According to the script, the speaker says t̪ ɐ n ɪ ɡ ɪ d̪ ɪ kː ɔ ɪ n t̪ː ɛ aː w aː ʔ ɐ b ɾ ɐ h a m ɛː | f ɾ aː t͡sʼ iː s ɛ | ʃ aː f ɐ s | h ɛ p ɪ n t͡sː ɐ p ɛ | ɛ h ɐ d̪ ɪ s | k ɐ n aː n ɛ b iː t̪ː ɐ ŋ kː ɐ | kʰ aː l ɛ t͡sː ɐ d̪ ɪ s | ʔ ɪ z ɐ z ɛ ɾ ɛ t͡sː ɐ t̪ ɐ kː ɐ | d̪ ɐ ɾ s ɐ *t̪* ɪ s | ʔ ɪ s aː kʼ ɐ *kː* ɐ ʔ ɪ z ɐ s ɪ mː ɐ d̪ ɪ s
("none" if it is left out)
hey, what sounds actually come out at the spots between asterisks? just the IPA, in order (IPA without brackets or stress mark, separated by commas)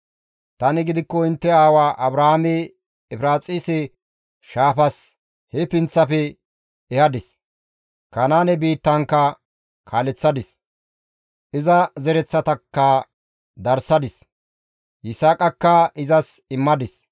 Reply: d̪, kː